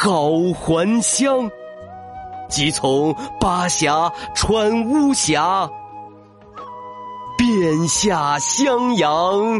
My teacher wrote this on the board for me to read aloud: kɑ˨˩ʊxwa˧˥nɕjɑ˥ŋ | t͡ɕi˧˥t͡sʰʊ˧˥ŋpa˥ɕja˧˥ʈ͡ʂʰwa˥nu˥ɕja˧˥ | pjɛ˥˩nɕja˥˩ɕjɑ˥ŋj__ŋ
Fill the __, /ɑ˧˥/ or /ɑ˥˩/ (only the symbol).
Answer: ɑ˧˥